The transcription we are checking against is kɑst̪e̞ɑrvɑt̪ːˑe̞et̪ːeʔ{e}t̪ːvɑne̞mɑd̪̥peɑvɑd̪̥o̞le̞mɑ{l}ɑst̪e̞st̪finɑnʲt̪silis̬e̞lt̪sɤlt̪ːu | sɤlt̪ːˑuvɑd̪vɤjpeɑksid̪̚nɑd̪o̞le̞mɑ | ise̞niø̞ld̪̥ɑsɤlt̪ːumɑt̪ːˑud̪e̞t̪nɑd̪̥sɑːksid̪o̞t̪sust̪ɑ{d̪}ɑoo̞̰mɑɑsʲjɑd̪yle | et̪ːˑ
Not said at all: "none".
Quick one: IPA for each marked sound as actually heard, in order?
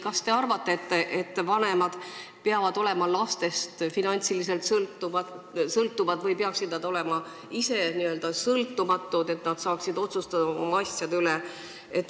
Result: e, l, d̪

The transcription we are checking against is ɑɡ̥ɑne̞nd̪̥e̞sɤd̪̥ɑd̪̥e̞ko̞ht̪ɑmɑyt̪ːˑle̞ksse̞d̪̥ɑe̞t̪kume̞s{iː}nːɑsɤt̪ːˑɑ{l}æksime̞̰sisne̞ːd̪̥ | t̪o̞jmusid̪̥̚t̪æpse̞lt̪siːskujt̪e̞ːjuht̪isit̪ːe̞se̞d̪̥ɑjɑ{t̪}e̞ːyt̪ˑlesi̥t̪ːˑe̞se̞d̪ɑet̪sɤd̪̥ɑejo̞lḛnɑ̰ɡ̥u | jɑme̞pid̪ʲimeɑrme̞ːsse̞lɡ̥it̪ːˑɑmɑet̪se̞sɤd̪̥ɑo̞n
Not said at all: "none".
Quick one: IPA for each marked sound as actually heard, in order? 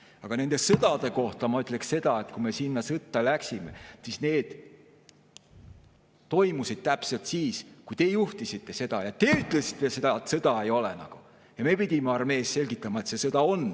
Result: i, l, t̪

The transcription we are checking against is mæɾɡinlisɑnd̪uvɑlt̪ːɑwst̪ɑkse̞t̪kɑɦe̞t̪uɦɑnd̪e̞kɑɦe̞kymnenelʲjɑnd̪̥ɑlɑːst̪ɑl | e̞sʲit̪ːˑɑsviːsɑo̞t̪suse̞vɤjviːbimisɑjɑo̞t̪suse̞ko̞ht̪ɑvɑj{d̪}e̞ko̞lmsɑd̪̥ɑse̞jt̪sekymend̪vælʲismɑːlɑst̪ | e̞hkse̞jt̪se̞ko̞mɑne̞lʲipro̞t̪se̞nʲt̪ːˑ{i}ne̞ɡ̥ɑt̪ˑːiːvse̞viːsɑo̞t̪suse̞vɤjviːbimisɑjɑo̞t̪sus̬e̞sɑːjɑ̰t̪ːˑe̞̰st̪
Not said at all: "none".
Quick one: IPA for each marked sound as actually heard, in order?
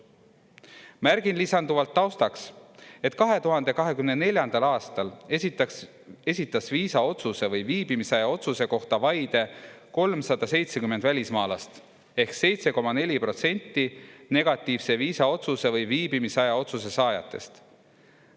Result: d̪, i

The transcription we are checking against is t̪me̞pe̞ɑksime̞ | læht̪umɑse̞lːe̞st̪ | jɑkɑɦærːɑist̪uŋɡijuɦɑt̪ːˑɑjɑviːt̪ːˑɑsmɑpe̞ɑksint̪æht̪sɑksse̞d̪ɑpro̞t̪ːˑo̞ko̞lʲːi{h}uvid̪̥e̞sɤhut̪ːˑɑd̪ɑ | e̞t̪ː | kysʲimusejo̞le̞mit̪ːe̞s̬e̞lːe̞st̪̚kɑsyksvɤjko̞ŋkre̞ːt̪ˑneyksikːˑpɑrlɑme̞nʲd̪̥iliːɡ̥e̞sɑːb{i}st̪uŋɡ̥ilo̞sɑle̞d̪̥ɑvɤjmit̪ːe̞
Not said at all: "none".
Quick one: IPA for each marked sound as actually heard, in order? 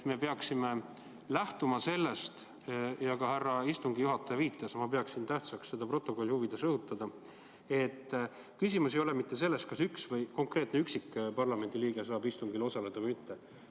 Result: h, i

